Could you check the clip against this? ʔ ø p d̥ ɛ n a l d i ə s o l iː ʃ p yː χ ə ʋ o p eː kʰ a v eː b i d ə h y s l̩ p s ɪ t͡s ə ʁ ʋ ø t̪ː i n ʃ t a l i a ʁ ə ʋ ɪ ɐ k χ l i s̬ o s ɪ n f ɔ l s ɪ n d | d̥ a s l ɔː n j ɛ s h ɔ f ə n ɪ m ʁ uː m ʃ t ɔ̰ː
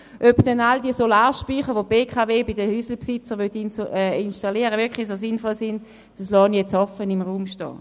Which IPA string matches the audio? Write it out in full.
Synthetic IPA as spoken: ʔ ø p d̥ ɛ n a l d i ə s o l aː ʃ p yː χ ə ʋ o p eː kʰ a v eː b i d ə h y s l̩ p s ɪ t͡s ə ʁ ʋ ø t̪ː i n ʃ t a l i ə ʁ ə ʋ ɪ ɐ k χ l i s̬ o s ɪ n f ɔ l s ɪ n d | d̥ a s l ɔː n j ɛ t͡s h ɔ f ə n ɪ m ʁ uː m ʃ t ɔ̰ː